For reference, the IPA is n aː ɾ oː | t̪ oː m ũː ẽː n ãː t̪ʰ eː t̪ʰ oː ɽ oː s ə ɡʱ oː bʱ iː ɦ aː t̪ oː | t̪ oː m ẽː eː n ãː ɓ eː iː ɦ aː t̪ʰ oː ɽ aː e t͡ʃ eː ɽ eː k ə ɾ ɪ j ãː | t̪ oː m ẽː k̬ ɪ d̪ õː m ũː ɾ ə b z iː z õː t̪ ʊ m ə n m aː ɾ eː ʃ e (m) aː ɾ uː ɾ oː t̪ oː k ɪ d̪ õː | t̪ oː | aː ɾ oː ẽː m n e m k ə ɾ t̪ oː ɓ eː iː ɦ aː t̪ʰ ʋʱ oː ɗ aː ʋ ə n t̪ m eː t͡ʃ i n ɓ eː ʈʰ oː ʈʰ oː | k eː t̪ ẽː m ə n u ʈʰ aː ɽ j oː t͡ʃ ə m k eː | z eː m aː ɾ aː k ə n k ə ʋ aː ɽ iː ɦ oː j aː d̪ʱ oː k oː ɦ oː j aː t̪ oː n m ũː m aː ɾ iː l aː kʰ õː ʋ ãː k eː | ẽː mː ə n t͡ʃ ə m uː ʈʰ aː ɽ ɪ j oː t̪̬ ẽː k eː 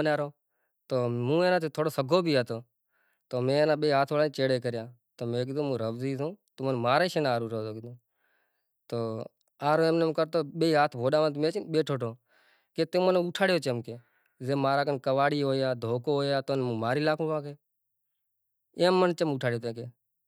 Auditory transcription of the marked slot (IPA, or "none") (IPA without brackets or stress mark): n